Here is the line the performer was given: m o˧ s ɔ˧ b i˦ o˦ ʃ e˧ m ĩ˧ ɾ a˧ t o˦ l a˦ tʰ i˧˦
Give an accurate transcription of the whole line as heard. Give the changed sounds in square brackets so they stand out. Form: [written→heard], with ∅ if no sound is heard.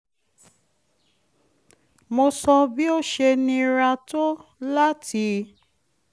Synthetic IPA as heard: m o˧ s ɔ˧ b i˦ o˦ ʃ e˧ [m→n] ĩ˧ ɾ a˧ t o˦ l a˦ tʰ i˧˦